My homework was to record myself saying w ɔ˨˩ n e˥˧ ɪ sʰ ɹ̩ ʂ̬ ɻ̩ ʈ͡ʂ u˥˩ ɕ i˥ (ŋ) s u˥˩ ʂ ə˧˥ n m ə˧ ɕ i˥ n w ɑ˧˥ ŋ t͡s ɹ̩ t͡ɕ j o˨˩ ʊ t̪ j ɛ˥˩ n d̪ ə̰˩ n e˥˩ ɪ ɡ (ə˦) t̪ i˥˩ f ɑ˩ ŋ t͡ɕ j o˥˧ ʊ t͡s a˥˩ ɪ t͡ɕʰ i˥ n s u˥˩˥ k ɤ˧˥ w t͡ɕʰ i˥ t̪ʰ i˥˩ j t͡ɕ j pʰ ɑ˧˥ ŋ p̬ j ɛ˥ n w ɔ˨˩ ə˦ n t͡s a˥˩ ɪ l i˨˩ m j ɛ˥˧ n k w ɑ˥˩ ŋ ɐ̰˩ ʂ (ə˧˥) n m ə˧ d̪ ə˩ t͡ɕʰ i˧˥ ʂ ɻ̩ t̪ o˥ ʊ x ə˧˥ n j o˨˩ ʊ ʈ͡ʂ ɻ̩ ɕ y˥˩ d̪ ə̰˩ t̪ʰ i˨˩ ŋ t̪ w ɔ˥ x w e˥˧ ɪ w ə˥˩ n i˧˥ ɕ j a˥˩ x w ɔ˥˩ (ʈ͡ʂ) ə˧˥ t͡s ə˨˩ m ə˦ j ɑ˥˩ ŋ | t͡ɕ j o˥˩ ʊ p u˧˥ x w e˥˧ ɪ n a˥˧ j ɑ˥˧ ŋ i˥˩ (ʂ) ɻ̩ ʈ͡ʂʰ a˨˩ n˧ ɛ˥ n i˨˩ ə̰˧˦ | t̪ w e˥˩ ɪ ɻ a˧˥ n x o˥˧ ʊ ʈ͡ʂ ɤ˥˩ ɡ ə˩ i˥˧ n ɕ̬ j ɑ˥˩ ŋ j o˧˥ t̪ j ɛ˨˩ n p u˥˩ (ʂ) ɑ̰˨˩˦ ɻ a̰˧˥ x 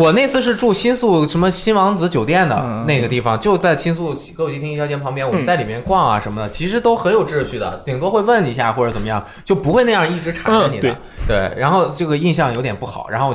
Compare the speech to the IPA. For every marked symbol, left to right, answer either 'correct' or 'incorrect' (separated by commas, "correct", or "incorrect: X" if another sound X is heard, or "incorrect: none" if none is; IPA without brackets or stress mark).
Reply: incorrect: n, incorrect: ə˩, correct, correct, incorrect: ʈ͡ʂ, incorrect: x